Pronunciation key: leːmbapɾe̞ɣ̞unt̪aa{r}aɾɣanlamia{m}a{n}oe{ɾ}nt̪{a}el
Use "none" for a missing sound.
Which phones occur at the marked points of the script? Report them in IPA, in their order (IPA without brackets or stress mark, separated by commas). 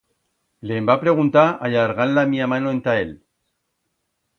ʎ, m, n, none, a